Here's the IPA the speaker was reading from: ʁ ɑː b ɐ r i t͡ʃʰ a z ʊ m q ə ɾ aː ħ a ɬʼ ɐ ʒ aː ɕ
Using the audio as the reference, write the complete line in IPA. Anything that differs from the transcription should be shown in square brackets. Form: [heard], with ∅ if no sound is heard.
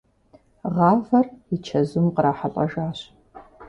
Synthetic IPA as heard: ʁ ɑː [v] ɐ r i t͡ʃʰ [ɐ] z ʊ m q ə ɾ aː ħ a ɬʼ ɐ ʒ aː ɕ